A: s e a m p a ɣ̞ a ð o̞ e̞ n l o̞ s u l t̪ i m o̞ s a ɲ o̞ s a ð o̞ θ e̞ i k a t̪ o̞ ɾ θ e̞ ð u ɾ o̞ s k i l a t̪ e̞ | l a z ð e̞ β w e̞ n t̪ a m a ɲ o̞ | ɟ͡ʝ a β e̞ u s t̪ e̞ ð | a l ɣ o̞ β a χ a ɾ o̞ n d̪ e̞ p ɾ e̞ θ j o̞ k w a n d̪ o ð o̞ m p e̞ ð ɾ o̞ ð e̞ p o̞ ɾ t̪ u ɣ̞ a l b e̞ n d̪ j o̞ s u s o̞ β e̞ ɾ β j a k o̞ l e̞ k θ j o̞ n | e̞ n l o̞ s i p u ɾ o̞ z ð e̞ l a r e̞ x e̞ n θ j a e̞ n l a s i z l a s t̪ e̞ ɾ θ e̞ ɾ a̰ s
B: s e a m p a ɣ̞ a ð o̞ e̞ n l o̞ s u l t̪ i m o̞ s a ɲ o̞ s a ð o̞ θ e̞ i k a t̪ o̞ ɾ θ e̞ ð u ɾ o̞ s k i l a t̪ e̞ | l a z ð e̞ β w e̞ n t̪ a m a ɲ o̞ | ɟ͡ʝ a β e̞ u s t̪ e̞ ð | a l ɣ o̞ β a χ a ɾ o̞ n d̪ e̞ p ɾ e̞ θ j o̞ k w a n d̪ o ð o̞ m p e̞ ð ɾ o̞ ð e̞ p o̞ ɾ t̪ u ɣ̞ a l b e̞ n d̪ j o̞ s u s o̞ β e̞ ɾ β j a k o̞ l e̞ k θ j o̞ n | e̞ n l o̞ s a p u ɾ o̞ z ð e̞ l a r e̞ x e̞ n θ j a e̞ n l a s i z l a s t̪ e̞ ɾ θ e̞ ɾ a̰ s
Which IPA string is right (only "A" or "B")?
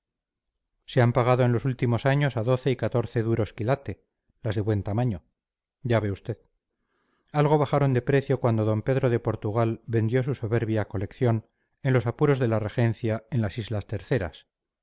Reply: B